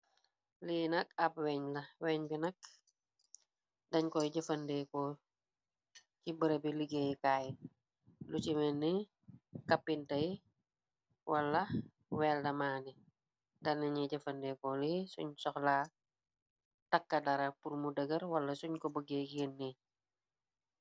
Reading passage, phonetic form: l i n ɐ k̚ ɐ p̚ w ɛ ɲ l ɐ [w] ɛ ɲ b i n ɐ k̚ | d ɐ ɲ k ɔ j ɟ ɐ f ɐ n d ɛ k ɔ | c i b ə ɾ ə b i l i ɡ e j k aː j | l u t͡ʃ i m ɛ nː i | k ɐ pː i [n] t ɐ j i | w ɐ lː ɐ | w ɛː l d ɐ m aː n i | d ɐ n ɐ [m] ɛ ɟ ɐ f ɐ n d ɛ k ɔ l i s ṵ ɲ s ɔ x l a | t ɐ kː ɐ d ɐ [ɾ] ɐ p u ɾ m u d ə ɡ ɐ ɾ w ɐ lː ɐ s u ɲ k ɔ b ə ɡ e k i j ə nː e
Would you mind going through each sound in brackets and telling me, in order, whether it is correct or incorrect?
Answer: correct, correct, incorrect: ɲ, correct

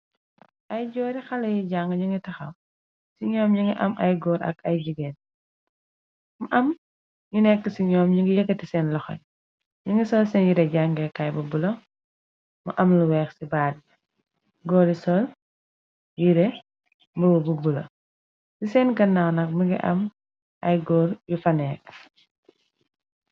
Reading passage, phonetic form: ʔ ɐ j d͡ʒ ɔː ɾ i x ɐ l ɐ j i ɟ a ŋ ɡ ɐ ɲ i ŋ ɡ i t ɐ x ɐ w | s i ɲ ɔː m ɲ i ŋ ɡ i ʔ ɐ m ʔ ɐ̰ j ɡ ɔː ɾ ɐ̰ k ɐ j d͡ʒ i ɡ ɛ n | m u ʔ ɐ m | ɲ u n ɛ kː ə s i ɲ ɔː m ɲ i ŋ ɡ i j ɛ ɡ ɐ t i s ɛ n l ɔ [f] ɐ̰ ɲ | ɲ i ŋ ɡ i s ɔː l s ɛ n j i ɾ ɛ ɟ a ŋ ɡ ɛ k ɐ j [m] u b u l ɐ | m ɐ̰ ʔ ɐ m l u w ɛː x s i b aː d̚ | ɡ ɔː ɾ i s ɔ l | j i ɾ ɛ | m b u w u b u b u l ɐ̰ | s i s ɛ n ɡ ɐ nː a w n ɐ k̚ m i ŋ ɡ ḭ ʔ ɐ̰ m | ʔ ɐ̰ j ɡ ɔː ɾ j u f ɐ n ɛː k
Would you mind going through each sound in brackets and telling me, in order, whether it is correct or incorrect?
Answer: incorrect: x, incorrect: b

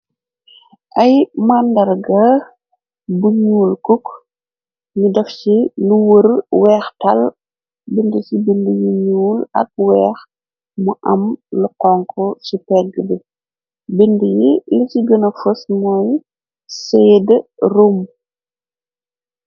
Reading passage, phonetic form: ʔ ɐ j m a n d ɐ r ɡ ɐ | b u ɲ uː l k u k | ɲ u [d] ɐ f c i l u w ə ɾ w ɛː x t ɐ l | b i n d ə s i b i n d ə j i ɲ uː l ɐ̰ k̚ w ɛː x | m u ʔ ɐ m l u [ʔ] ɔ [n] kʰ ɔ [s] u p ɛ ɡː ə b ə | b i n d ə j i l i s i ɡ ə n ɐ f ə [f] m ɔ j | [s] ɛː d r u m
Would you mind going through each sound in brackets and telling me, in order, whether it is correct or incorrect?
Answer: correct, incorrect: q, incorrect: ŋ, correct, incorrect: s, correct

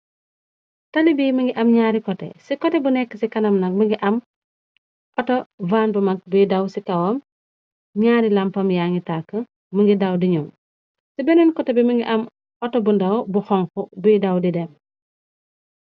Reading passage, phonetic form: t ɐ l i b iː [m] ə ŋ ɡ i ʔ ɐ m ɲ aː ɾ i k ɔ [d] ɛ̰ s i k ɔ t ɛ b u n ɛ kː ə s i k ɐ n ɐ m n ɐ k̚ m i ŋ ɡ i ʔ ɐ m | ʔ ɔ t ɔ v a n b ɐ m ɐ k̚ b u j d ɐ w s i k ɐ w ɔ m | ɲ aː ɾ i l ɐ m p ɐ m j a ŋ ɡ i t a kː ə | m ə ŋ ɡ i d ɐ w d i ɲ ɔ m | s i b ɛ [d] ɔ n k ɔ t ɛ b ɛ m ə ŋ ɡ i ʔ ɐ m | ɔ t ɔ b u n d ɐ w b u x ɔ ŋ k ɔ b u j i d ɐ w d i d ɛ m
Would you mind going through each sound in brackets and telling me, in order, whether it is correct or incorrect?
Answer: correct, incorrect: t, incorrect: n

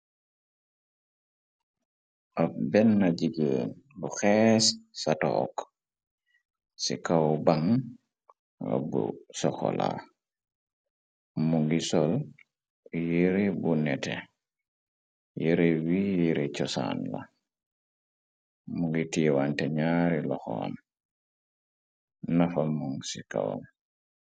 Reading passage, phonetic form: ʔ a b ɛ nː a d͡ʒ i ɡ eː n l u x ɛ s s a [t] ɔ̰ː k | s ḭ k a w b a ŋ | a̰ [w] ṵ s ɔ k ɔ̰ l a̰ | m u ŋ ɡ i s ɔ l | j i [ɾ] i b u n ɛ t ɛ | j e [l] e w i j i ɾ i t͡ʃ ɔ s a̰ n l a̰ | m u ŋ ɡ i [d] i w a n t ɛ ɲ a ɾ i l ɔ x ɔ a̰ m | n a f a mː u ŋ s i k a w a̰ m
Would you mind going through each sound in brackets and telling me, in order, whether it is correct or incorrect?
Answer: correct, incorrect: b, correct, incorrect: ɾ, incorrect: t

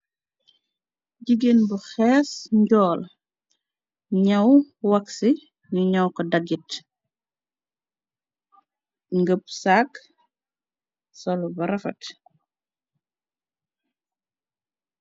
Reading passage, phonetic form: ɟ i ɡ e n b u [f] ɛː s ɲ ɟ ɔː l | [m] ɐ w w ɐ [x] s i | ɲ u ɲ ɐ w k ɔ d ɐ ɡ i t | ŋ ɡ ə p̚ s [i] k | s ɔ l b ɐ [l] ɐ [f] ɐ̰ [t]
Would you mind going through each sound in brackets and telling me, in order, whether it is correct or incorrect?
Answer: incorrect: x, incorrect: ɲ, incorrect: k, incorrect: a, incorrect: ɾ, correct, correct

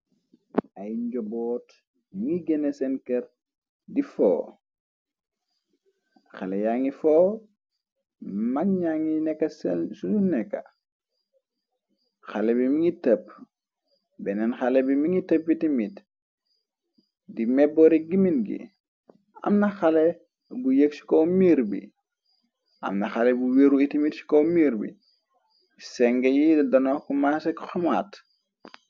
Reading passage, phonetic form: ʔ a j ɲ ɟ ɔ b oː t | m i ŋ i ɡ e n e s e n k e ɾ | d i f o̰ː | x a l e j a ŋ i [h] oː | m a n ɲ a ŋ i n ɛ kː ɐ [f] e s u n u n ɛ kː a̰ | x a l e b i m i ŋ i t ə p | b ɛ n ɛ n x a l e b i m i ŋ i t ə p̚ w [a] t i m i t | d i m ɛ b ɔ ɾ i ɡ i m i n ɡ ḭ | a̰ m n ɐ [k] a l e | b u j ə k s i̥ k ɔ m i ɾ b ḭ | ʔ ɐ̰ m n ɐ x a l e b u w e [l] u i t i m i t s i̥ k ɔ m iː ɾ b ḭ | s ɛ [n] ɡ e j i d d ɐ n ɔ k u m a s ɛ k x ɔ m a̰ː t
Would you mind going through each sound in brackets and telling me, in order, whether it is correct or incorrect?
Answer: incorrect: f, incorrect: s, incorrect: i, incorrect: x, incorrect: ɾ, incorrect: ŋ

